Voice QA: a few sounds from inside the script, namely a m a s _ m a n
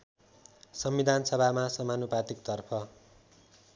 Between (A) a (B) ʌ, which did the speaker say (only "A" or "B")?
B